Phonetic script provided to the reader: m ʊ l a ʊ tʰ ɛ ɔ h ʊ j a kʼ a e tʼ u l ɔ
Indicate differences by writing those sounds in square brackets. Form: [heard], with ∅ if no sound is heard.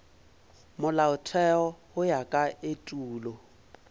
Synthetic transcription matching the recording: m ʊ l a ʊ tʰ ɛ ɔ h ʊ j a kʼ a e tʼ [uː] l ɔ

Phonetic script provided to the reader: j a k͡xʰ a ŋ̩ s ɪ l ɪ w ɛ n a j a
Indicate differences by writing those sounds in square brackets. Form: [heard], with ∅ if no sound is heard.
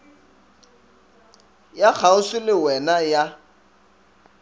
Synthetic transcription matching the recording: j a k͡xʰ a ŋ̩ s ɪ l ɪ w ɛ n a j a

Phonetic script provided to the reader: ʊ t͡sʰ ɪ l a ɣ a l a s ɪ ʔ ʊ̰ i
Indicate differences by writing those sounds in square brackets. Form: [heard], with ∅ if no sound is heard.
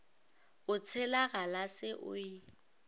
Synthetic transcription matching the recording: ʊ t͡sʰ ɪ l a ɣ a l a s ɪ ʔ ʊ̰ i

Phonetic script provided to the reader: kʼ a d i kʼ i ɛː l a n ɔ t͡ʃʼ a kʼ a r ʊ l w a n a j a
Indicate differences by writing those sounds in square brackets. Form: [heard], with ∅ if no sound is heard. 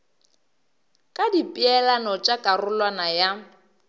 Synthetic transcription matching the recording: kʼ a d i [pʼ] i [ɛ] l a n ɔ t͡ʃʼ a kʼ a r ʊ l w a n a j a

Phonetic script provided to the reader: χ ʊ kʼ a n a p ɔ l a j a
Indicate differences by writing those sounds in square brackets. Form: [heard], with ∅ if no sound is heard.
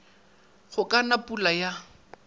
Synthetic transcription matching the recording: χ ʊ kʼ a n a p [u] l a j a

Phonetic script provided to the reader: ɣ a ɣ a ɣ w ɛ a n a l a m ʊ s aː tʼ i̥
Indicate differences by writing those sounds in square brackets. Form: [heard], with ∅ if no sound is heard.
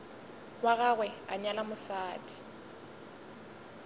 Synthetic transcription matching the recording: [w] a ɣ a ɣ w ɛ a [ɲ] a l a m ʊ s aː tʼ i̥

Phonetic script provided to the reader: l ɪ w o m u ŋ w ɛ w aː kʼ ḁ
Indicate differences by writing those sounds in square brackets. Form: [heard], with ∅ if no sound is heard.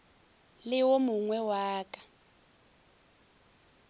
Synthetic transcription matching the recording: l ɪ w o m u ŋ w ɛ w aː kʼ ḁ

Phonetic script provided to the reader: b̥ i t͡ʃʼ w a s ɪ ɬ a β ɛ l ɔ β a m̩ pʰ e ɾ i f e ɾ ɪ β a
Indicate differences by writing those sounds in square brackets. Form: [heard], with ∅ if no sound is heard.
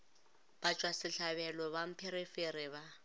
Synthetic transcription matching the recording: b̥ [a] t͡ʃʼ w a s ɪ ɬ a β ɛ l ɔ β a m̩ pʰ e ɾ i f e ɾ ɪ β a

